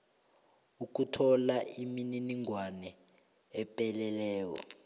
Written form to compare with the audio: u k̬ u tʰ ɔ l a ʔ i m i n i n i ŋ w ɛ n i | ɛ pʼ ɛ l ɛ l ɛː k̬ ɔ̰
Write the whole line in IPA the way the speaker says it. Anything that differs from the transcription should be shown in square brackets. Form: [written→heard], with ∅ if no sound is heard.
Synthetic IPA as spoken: u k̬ u tʰ ɔ l a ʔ i m i n i n i ŋ w [ɛ→a] n [i→ɛ] | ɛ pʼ ɛ l ɛ l ɛː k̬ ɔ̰